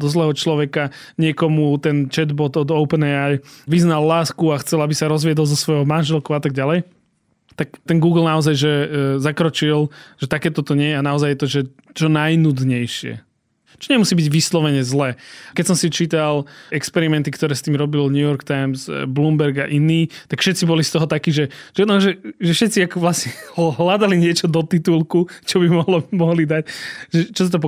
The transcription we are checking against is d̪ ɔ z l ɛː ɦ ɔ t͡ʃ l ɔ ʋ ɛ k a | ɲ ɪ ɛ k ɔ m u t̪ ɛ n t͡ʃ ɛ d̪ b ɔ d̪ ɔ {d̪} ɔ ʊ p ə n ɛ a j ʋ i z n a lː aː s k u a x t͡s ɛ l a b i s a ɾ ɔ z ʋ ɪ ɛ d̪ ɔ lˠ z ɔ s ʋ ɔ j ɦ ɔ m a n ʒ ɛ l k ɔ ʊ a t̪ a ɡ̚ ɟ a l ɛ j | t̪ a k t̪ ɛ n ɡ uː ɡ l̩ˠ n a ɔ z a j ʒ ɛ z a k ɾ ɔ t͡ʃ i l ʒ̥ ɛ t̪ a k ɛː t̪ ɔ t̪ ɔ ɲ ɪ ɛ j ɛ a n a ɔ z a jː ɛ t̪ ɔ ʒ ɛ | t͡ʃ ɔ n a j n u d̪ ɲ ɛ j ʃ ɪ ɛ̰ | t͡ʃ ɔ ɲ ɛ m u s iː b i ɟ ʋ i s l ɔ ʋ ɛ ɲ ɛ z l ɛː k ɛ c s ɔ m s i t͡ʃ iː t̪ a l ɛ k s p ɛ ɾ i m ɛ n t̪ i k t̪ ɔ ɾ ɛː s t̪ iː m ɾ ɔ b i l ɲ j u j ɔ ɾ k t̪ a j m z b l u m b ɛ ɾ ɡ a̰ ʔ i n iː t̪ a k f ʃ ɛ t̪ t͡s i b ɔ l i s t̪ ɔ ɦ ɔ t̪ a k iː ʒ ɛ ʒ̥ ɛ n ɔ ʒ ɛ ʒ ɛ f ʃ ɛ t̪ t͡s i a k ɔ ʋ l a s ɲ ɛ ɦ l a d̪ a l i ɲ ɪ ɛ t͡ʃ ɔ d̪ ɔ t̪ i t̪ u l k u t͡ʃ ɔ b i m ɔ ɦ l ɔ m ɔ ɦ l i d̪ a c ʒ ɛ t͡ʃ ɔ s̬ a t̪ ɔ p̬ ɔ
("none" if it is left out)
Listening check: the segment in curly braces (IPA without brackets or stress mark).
d̪